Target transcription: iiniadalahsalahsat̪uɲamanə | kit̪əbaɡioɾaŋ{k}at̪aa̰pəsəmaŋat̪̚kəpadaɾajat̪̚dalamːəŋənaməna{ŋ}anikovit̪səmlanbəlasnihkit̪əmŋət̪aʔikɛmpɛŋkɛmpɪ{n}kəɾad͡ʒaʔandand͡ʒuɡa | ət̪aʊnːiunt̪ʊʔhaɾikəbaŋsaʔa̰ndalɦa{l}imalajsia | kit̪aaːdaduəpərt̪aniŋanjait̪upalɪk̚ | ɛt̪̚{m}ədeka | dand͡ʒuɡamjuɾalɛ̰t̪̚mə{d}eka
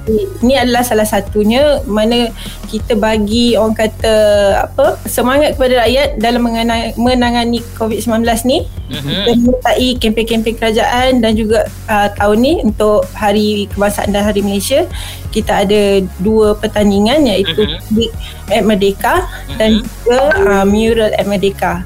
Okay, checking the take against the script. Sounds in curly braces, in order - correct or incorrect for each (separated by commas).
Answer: correct, correct, incorrect, incorrect, correct, correct